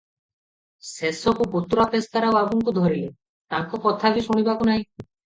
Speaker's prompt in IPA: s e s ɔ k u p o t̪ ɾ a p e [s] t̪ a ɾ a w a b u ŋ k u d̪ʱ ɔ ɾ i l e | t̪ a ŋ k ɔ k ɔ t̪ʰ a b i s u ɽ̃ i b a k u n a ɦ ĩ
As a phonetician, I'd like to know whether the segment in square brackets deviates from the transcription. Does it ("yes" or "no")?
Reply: no